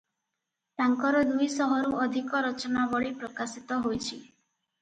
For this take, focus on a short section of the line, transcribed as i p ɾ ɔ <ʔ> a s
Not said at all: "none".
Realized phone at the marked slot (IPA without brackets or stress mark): k